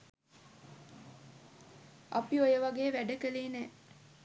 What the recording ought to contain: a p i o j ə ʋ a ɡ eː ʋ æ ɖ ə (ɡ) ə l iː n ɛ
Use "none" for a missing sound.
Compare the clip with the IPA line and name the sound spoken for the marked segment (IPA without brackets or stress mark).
k